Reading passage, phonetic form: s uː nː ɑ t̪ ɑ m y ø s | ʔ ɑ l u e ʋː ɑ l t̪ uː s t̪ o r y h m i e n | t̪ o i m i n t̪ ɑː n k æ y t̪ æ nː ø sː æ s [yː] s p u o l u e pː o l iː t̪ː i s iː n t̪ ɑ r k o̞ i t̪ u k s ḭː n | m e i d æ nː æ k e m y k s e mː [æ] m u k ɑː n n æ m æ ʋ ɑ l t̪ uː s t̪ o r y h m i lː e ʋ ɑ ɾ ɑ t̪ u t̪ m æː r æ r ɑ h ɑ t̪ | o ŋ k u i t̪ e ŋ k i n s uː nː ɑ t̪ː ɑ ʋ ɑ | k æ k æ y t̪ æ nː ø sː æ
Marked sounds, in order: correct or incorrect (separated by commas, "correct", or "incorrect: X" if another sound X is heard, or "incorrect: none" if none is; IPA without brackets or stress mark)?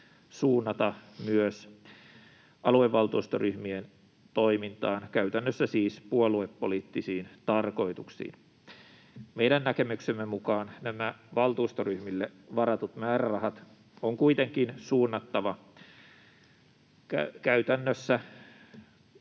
incorrect: iː, incorrect: e